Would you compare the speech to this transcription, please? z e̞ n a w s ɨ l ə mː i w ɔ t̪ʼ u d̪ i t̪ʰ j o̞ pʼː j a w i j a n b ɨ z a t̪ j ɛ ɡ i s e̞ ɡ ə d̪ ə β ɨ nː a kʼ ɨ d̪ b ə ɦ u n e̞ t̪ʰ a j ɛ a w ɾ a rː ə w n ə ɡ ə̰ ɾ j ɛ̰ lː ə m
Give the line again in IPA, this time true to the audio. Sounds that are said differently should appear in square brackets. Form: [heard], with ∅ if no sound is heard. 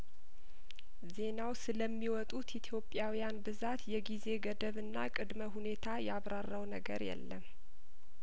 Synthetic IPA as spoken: z e̞ n a w s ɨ l ə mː i w ɔ t̪ʼ u [t̪] i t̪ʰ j o̞ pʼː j a w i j a n b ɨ z a t̪ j ɛ ɡ i [z] e̞ ɡ ə d̪ ə β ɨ nː a kʼ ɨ d̪ [m] ə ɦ u n e̞ t̪ʰ a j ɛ a [β] ɾ a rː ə w n ə ɡ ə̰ ɾ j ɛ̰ lː ə m